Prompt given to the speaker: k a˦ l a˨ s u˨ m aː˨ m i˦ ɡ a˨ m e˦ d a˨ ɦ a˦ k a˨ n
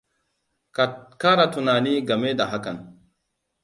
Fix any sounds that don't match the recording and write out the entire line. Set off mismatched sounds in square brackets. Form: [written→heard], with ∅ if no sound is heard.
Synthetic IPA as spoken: k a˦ [l→ɾ] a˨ [s→t] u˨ [m→n] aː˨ [m→n] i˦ ɡ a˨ m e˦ d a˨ ɦ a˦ k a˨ n

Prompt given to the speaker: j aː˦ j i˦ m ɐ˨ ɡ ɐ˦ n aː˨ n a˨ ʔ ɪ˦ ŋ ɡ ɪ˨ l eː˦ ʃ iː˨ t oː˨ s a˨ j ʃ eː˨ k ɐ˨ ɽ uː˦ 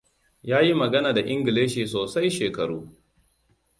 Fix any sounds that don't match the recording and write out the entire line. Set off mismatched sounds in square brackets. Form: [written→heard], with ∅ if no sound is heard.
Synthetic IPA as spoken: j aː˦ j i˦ m ɐ˨ ɡ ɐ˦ n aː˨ [n→d] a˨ ʔ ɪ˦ ŋ ɡ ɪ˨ l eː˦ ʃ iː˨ [t→s] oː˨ s [a˨→a˦] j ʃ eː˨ k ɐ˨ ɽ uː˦

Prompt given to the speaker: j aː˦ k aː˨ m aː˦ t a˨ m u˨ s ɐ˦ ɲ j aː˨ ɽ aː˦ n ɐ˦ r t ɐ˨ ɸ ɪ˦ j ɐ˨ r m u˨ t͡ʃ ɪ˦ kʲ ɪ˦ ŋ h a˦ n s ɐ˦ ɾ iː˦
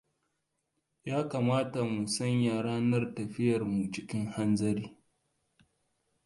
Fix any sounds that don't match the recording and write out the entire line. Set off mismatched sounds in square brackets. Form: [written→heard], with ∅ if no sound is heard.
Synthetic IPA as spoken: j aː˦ k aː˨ m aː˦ t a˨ m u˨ s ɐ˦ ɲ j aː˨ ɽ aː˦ n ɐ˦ r t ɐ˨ ɸ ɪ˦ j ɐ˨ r m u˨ t͡ʃ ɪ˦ kʲ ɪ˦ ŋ h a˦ n [s→z] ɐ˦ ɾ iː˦

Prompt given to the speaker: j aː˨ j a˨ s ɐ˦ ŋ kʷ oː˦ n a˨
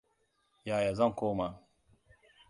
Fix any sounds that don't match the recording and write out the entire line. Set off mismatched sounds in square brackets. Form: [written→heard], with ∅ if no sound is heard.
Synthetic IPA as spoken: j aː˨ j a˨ [s→z] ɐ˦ ŋ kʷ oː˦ [n→m] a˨

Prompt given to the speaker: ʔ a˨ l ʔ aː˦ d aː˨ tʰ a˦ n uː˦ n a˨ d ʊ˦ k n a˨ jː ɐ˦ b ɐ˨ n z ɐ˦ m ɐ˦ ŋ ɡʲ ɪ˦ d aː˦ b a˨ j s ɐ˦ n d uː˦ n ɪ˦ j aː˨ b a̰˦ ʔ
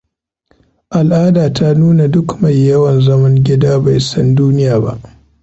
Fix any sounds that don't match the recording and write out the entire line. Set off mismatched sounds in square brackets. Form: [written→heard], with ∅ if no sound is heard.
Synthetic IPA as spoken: ʔ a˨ l ʔ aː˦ d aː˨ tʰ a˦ n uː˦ n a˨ d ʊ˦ k [n→m] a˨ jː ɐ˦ [b→w] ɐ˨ n z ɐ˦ m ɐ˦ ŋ ɡʲ ɪ˦ d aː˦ b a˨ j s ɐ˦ n d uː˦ n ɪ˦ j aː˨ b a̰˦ ʔ

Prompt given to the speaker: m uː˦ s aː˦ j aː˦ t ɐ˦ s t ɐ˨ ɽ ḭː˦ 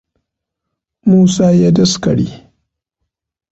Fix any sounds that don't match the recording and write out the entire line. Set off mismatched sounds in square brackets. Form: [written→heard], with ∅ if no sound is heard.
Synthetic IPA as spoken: m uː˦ s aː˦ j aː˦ [t→d] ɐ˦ s [t→k] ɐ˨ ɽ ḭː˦

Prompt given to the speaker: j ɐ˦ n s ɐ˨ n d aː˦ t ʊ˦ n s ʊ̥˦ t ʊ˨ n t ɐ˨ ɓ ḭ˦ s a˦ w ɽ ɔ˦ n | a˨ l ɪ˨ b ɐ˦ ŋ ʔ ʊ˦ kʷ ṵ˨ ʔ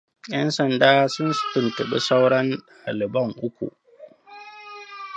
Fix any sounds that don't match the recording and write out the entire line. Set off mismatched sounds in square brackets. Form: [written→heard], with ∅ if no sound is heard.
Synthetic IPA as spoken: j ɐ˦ n s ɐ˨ n d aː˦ [t→s] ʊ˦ n s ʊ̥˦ t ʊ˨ n t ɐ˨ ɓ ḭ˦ s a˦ w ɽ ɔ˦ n | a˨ l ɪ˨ b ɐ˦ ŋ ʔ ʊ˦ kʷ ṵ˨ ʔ

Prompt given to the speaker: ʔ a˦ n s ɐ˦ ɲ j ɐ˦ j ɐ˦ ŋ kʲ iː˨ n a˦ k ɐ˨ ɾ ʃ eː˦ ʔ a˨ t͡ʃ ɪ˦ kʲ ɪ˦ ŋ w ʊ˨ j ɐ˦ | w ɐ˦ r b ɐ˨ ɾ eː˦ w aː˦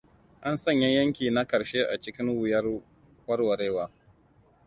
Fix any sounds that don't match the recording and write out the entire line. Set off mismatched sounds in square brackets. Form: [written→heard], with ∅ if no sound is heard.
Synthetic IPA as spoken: ʔ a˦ n s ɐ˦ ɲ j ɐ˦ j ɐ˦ ŋ kʲ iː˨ n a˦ k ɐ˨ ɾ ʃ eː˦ ʔ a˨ t͡ʃ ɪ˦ kʲ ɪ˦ ŋ w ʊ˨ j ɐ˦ | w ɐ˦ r [b→w] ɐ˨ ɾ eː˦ w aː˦

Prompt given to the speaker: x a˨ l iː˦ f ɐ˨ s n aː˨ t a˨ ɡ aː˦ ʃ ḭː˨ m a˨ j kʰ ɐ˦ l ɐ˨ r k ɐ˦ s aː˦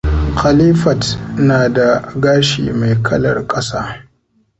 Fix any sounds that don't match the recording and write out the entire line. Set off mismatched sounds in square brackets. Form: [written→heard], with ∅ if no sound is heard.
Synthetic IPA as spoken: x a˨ l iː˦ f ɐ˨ [s→t] n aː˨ [t→d] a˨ ɡ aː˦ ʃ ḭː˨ m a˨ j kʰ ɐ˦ l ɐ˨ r [k→kʼ] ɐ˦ s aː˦

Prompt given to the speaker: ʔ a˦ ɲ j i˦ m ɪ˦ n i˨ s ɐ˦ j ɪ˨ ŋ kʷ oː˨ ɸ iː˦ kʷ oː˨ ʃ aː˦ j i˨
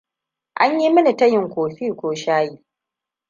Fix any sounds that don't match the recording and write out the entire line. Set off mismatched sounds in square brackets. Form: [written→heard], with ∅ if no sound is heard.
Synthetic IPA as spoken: ʔ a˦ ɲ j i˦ m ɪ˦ n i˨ [s→t] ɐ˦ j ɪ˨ ŋ kʷ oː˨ ɸ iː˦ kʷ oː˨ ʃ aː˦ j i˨

